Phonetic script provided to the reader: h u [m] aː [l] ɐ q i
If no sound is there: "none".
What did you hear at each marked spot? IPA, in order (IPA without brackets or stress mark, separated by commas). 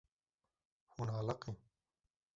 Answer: n, l